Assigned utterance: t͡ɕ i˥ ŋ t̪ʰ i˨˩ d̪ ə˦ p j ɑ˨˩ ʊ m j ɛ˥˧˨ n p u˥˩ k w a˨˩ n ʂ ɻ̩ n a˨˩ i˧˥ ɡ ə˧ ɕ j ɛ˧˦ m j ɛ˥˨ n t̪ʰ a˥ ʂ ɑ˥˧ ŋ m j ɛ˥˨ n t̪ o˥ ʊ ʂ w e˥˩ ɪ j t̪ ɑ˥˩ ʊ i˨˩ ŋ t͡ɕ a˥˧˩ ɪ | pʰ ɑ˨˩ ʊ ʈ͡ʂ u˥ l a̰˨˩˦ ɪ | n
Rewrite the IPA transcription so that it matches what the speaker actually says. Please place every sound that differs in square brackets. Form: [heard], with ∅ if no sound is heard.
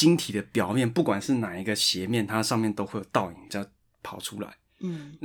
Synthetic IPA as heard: t͡ɕ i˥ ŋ t̪ʰ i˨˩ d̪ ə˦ p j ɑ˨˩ ʊ m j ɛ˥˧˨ n p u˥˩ k w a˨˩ n ʂ ɻ̩ n a˨˩ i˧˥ ɡ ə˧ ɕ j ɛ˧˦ m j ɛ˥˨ n t̪ʰ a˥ ʂ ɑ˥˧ ŋ m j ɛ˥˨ n t̪ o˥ ʊ [x] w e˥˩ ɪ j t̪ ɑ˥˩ ʊ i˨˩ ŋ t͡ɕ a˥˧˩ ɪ | pʰ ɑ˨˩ ʊ [ʈ͡ʂʰ] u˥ l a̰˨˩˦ ɪ | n